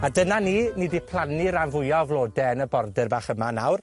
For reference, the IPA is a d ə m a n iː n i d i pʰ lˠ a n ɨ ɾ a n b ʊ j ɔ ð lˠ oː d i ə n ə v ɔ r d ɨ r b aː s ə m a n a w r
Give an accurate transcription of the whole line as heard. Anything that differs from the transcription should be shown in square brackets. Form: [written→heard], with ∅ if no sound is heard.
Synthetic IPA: a d ə [m→n] a n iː n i d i pʰ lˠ a n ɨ ɾ a n [b→v] ʊ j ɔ [ð→v] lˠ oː d [i→ɛ] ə n ə [v→b] ɔ r d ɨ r b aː [s→χ] ə m a n a w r